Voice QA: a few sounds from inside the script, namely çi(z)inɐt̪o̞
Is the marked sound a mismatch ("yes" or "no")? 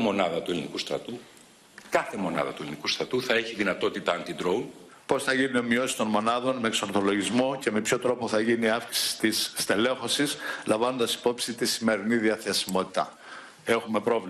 yes